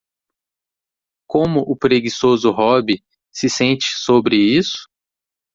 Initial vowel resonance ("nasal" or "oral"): nasal